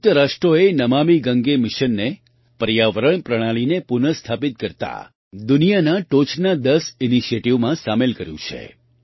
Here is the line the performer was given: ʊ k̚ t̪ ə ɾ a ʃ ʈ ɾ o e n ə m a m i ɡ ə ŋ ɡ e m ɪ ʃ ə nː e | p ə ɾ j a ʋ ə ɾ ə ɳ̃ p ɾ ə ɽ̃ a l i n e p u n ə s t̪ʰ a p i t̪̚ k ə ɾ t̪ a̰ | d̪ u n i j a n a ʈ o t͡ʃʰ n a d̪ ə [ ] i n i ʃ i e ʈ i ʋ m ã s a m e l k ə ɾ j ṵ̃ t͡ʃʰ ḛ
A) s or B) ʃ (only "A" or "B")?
A